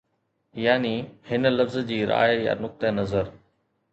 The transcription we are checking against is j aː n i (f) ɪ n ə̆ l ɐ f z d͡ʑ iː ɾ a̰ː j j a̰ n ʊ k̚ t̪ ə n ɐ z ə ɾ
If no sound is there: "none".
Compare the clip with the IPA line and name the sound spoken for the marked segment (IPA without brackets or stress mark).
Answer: h